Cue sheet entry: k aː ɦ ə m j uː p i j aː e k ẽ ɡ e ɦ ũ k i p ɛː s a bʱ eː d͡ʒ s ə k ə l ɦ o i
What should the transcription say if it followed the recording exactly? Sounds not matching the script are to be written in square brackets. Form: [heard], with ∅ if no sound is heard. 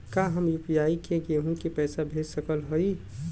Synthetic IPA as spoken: k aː ɦ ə m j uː p i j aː [i] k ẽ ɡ e ɦ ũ k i p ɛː s a bʱ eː d͡ʒ s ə k ə l ɦ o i